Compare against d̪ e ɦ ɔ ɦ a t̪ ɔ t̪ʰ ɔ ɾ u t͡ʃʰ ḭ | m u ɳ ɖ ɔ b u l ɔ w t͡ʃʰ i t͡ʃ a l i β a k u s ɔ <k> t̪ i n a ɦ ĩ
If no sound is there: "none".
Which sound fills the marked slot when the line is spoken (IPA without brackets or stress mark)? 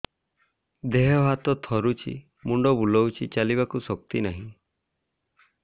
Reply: k